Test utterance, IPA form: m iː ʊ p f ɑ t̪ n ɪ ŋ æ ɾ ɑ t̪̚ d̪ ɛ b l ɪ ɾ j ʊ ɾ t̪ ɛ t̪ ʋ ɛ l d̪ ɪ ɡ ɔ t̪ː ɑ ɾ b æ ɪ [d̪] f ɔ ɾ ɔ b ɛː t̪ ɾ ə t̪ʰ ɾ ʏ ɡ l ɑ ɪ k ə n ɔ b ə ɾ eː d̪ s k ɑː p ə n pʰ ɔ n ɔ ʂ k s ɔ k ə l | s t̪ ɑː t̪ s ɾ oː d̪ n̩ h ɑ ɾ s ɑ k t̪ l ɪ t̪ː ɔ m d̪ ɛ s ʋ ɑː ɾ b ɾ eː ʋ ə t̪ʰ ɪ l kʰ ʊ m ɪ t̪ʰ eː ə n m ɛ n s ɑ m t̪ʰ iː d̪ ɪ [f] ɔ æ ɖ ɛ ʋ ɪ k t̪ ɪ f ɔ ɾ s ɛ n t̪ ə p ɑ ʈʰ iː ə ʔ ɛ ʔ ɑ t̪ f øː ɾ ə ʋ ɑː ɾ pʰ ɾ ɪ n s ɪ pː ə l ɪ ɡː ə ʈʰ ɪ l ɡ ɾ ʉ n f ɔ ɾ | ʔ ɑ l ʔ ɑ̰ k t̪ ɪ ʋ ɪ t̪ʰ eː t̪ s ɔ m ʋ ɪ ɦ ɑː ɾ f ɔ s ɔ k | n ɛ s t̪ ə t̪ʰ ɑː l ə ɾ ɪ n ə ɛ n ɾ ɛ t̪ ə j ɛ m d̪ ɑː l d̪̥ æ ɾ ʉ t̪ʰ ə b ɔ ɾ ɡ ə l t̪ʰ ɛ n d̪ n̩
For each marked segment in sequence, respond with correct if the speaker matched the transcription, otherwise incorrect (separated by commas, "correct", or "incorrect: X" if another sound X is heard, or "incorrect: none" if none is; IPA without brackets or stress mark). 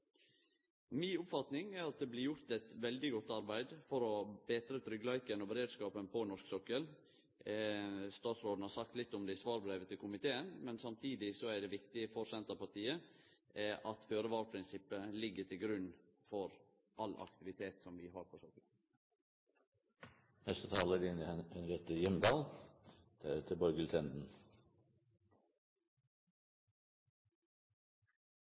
correct, incorrect: s